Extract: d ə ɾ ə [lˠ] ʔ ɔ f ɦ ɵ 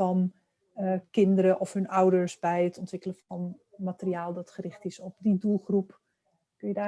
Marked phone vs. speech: incorrect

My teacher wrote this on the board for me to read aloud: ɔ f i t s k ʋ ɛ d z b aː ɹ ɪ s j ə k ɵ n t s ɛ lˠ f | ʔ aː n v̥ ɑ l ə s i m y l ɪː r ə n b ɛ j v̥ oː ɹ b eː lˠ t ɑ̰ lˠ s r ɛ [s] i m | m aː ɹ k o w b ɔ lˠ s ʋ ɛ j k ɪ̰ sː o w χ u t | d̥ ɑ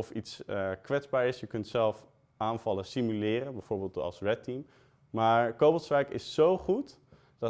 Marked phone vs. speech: incorrect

